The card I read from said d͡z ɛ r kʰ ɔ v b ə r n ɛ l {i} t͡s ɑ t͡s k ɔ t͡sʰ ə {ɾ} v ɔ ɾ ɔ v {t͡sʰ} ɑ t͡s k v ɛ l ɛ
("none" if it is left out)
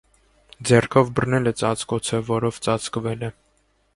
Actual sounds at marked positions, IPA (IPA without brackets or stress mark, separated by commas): ɛ, none, t͡s